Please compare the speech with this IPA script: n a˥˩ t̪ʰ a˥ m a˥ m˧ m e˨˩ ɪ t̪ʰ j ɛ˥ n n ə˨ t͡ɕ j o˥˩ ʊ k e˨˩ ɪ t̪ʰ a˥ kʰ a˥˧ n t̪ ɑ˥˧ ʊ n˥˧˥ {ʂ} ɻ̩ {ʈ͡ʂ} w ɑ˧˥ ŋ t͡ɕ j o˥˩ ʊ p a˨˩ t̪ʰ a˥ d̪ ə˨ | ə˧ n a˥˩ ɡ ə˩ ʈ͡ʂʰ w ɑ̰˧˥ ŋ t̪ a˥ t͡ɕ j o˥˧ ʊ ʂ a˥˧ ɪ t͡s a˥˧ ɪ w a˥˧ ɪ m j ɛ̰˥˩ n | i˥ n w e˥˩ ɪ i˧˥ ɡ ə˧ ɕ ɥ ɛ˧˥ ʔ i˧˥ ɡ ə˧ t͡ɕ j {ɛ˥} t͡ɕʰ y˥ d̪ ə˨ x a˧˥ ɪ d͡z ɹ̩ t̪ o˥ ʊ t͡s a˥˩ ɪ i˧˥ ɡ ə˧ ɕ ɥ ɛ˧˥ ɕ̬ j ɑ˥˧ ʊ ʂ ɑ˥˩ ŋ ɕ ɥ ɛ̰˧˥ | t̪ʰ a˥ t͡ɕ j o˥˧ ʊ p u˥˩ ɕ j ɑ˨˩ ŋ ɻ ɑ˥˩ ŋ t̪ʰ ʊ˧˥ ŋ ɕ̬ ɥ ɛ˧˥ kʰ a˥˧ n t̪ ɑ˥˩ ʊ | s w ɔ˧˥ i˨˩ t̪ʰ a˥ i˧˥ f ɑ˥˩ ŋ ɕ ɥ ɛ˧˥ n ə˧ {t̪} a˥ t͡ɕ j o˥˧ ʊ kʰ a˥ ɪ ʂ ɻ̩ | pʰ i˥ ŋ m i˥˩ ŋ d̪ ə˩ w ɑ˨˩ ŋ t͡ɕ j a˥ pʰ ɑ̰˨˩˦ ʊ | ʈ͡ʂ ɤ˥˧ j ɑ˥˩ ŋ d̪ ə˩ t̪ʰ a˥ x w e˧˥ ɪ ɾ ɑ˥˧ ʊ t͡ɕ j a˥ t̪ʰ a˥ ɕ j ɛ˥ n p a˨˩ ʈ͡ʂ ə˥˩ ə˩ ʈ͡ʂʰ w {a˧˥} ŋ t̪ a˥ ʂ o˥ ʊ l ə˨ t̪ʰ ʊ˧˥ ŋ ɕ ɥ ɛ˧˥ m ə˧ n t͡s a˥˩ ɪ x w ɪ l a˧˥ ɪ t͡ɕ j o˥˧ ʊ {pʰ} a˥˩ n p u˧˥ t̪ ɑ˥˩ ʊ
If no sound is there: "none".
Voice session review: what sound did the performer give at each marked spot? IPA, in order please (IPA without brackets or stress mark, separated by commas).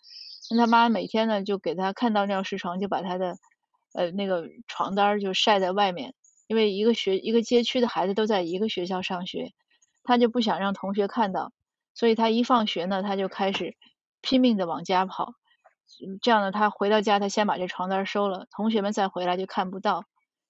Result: ʂ, ʈ͡ʂʰ, ɛ˥, t̪ʰ, ɑ˧˥, kʰ